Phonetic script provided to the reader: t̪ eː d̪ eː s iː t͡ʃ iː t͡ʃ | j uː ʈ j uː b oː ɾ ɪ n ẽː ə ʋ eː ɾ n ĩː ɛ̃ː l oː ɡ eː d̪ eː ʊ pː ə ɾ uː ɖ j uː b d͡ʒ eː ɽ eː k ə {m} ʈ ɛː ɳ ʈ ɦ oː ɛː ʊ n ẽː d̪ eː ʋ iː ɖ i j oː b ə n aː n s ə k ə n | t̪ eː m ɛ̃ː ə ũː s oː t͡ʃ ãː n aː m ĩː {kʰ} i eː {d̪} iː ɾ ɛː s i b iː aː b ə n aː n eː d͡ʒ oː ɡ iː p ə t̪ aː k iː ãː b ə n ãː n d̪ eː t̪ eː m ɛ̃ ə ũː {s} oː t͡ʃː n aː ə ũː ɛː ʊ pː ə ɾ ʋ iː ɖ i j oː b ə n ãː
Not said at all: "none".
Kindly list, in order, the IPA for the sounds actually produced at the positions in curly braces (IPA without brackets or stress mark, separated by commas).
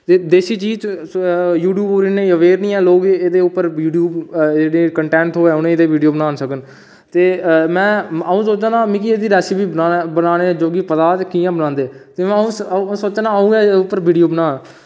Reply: ɳ, k, d̪, s